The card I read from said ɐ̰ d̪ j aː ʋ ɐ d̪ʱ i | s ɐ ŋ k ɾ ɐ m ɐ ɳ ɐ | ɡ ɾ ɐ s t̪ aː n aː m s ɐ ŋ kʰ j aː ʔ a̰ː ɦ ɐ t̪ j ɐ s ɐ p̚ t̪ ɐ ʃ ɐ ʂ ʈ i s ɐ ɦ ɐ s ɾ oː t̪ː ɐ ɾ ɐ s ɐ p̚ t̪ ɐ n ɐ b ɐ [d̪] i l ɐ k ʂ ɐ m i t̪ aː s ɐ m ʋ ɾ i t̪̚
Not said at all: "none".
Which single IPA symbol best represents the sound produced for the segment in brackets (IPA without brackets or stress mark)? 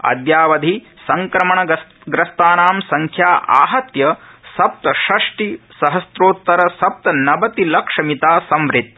t̪